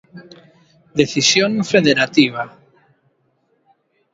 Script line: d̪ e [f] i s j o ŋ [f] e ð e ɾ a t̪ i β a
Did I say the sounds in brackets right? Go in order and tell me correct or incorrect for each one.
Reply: incorrect: θ, correct

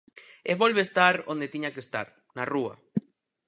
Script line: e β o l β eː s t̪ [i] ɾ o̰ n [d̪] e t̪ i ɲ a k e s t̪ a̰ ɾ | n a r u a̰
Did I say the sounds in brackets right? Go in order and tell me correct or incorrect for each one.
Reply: incorrect: a, correct

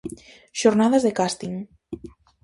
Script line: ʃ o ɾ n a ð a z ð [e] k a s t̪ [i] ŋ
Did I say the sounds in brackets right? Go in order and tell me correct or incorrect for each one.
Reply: correct, correct

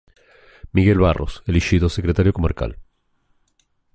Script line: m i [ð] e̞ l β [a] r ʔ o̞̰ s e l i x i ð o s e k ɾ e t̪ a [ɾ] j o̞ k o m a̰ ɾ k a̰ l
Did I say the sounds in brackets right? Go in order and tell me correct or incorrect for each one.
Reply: incorrect: ɣ, correct, correct

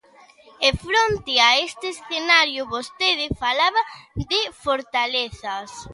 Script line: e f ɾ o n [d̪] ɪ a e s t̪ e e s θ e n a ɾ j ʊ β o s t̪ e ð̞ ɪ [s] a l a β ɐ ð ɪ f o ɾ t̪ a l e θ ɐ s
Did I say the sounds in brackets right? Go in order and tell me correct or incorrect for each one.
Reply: incorrect: t̪, incorrect: f

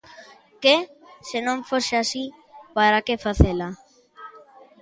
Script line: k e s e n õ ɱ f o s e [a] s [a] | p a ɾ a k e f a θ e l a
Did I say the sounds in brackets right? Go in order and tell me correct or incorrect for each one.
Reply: correct, incorrect: i

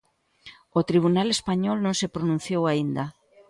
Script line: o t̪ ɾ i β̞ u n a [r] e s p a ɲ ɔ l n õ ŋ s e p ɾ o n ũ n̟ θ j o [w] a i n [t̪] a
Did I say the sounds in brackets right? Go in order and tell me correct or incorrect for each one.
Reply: incorrect: l, correct, incorrect: d̪

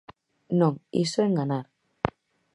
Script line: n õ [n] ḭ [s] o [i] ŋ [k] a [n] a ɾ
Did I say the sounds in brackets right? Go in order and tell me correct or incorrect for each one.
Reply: incorrect: ŋ, correct, incorrect: e, incorrect: ɡ, correct

